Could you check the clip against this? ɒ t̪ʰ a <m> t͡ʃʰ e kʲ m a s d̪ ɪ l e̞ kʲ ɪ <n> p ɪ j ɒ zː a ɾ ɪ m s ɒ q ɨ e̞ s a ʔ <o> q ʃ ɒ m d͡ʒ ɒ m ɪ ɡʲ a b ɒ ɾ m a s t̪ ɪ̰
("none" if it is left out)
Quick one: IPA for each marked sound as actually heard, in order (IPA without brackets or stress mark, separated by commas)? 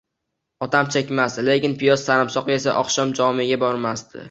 m, n, ɒ